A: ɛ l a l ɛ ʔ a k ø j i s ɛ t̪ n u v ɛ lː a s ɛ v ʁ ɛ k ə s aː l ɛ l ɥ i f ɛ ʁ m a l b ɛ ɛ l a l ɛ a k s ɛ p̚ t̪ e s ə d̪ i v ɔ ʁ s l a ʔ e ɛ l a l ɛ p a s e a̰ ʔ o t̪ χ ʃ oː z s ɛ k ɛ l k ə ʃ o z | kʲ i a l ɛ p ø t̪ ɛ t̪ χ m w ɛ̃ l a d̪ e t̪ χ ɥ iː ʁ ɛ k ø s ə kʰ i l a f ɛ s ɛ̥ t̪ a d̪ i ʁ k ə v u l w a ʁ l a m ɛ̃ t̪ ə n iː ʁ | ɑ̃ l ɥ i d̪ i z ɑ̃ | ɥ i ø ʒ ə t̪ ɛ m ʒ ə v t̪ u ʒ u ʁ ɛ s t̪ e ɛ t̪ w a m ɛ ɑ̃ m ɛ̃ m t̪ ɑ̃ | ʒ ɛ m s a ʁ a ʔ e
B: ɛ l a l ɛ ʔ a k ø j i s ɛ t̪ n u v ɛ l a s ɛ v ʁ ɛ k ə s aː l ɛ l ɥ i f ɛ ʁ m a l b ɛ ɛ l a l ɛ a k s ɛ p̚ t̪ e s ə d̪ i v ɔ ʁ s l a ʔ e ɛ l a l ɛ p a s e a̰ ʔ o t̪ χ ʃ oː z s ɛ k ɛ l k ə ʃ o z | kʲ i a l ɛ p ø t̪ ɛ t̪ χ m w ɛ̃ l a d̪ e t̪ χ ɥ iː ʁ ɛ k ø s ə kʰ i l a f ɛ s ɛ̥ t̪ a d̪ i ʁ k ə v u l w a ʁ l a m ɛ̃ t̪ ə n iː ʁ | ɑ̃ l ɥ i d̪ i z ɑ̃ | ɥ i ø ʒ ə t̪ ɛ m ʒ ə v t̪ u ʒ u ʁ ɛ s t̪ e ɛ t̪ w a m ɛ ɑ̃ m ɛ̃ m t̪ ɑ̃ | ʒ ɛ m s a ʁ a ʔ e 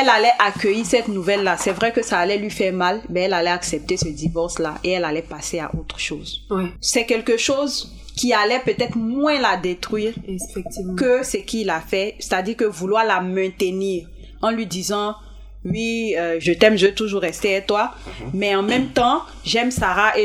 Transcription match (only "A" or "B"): A